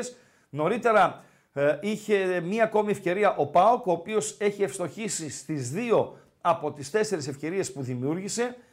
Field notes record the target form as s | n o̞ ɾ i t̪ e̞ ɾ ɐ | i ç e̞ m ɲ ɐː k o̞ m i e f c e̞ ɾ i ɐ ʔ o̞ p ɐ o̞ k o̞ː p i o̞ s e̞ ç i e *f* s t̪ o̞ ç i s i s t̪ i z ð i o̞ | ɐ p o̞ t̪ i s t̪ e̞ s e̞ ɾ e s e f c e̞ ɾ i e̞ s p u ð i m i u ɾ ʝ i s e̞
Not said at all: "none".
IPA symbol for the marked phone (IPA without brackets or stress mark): f